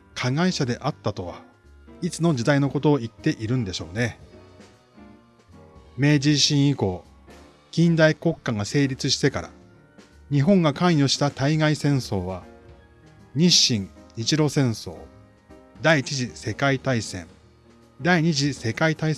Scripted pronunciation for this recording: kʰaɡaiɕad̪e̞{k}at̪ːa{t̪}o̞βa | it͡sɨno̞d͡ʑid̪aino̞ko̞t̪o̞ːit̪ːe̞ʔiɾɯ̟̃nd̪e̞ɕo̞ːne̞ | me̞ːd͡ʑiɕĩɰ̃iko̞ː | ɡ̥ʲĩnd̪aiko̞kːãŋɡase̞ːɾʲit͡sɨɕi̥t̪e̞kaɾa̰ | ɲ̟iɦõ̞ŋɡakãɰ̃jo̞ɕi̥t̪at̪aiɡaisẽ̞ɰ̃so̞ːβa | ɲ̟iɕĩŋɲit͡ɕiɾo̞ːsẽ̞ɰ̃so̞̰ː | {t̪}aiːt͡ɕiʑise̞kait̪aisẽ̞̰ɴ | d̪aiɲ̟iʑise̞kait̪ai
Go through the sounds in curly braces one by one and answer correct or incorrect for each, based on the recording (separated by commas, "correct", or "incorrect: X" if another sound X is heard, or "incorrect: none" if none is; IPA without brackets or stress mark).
incorrect: ʔ, correct, incorrect: d̪